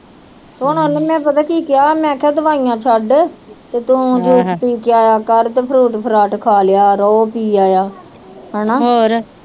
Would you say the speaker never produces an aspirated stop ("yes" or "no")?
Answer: no